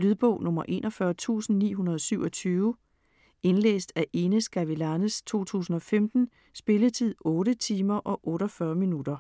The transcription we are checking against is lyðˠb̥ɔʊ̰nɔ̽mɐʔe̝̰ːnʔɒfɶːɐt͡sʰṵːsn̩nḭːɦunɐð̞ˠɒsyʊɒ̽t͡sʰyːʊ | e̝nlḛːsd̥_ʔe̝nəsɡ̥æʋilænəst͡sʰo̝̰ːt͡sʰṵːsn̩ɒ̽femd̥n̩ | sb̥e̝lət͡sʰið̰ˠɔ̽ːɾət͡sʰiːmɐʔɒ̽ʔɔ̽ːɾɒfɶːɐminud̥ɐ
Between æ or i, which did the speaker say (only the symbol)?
æ